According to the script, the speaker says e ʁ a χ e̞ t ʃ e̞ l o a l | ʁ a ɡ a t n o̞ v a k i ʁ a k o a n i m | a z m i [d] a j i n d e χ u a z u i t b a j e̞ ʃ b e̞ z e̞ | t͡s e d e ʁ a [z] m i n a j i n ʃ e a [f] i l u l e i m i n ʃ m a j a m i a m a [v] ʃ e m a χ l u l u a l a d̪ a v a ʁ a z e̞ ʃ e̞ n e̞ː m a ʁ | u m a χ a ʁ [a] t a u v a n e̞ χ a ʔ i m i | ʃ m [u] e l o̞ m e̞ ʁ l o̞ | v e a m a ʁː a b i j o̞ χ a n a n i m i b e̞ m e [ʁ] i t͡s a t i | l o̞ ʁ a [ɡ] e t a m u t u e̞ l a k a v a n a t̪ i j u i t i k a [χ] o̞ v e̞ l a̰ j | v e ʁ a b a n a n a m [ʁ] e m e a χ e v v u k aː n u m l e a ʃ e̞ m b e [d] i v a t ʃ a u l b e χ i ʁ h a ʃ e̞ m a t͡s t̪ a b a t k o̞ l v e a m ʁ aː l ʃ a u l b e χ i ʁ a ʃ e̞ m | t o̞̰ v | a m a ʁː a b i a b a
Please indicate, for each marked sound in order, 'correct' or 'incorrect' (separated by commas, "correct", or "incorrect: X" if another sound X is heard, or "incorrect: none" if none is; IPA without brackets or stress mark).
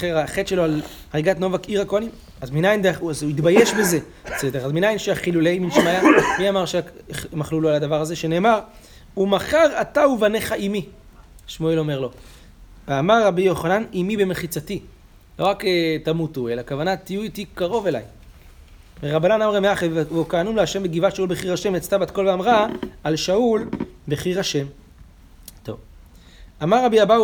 incorrect: n, correct, incorrect: χ, incorrect: ʁ, correct, incorrect: o, incorrect: χ, incorrect: k, incorrect: ʁ, correct, incorrect: ɡ